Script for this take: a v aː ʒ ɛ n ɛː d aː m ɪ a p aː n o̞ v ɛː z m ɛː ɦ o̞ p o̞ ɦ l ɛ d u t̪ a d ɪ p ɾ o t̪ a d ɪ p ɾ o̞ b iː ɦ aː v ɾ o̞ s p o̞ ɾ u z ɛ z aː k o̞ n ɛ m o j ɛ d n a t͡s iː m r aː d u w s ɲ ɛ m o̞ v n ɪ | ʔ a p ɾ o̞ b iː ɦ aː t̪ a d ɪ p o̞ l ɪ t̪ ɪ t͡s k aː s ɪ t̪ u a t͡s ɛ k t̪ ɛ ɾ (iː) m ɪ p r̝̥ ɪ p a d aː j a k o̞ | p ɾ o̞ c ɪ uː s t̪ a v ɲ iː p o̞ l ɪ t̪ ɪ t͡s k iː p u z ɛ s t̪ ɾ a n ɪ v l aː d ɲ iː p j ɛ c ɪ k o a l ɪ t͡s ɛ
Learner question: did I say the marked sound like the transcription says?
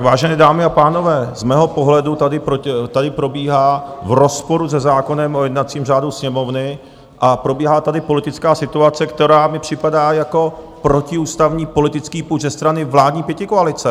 no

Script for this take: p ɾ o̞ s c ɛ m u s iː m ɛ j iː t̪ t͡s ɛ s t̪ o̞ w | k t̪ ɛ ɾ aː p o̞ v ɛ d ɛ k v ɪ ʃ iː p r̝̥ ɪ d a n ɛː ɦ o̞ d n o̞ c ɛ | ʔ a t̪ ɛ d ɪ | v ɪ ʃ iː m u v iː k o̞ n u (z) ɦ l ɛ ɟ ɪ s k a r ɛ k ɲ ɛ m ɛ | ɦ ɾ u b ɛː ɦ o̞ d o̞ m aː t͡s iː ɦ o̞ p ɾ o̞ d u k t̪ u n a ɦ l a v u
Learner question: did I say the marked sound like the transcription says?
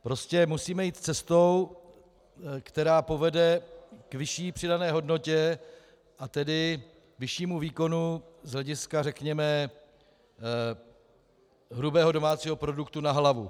yes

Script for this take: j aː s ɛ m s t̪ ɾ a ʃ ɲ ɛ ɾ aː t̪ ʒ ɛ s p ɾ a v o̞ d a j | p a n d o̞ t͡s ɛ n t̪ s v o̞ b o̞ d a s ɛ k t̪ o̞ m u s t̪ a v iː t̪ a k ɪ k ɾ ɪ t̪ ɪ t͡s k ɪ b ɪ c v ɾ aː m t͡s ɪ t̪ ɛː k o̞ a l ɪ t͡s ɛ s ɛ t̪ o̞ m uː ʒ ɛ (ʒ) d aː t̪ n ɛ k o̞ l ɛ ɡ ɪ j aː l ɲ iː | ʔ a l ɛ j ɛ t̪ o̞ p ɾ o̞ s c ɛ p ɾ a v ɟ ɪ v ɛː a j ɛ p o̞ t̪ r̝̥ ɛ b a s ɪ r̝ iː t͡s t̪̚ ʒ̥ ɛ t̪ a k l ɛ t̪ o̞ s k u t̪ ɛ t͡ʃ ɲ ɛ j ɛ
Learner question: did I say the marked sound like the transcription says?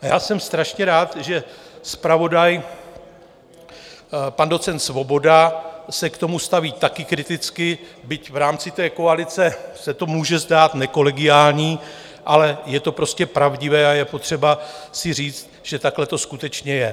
no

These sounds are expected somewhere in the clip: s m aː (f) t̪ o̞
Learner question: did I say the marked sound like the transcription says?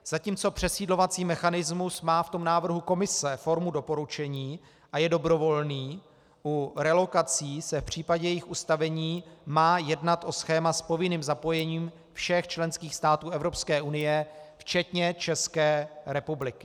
yes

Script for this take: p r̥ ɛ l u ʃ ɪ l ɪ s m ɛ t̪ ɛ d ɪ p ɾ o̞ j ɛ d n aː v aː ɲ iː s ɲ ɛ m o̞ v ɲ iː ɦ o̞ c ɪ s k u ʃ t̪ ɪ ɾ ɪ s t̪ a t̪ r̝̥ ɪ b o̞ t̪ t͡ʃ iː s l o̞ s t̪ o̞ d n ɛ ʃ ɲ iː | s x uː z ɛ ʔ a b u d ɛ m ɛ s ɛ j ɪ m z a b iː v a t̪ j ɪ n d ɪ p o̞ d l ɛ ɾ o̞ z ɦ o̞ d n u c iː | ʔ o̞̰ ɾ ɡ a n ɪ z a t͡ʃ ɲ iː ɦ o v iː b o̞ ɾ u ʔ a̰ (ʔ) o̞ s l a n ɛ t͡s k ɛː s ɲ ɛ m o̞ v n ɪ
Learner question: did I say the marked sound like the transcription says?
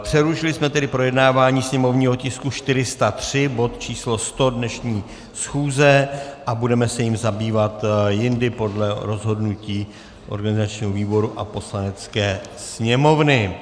no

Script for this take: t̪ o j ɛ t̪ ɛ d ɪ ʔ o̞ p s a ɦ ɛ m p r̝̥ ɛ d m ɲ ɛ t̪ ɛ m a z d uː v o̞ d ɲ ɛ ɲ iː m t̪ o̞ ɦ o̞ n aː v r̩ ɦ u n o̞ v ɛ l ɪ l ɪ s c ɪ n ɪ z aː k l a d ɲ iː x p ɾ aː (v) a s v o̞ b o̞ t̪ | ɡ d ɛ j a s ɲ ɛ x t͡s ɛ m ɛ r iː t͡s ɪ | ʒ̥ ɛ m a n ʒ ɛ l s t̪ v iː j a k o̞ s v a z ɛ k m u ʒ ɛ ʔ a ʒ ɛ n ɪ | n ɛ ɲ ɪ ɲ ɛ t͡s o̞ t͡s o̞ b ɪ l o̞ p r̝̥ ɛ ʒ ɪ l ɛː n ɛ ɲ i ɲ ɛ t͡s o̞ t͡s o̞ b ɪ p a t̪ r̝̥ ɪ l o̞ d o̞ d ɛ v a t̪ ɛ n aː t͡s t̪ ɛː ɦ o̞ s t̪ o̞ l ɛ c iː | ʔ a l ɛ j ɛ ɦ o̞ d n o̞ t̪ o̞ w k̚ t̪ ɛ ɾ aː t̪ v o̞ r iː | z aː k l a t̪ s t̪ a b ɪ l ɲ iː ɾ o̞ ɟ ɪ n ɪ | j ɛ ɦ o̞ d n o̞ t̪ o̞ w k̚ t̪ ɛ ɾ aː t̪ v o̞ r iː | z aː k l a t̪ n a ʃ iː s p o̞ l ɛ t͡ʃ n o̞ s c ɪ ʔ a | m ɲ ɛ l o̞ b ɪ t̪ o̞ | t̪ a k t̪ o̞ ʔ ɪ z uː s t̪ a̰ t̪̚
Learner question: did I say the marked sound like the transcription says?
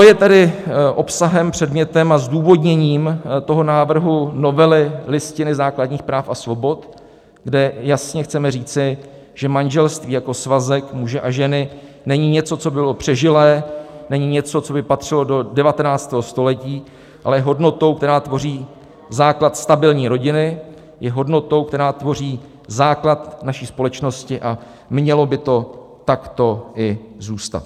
no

